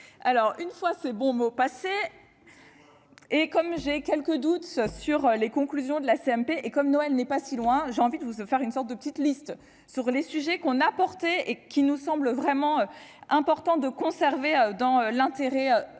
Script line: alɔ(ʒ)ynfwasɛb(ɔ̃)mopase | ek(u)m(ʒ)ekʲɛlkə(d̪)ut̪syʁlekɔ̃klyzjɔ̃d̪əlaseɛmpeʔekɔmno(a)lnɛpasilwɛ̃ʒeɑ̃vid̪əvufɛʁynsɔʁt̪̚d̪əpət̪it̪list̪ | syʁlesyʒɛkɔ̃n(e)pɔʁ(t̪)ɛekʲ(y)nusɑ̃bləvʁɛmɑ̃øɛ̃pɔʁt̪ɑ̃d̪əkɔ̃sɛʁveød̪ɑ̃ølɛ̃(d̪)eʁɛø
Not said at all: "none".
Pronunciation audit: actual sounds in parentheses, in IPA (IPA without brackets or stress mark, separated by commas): ʁ, ɔ̃, ɔ, ʒ, d̪, ɛ, a, t̪, i, t̪